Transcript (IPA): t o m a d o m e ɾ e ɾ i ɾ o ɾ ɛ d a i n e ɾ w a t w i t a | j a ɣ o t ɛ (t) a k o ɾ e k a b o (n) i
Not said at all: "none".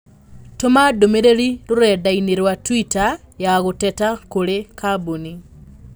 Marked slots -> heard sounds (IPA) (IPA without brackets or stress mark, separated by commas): t, n